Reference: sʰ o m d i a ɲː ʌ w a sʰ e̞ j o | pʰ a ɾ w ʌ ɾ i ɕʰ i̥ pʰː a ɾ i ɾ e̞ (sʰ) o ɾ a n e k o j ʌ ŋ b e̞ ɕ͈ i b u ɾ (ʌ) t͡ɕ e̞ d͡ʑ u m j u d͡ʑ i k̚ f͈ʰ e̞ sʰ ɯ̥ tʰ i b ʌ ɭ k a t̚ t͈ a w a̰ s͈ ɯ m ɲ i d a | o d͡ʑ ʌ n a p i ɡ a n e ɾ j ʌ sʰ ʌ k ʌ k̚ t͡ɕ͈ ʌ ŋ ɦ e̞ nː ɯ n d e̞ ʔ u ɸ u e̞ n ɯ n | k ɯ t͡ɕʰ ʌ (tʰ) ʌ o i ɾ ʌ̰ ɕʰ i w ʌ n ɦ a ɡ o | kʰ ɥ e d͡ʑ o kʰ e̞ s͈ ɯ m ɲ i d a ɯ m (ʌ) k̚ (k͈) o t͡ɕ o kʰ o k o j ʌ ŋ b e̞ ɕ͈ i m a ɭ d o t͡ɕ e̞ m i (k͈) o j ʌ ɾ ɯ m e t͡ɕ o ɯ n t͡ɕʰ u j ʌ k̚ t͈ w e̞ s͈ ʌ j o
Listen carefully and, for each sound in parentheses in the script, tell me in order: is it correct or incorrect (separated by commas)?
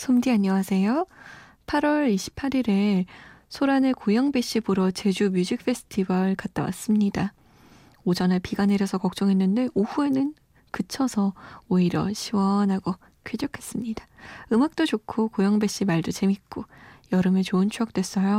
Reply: correct, correct, incorrect, incorrect, incorrect, correct